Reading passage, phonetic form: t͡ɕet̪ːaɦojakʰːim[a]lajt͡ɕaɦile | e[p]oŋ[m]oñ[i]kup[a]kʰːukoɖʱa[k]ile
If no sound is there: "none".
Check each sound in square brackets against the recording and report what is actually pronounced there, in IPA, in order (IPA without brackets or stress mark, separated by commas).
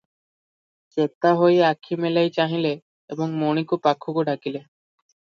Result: e, b, m, i, a, k